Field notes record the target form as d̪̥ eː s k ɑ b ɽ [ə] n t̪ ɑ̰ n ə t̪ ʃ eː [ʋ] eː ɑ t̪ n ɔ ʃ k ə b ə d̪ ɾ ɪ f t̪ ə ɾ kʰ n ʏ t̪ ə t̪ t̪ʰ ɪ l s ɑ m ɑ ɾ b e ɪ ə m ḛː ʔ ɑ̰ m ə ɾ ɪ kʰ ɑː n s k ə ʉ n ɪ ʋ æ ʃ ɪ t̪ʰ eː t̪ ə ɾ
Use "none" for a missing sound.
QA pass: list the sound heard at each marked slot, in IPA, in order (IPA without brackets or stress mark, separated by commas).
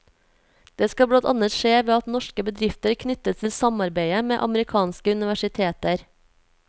ɑ, ʋ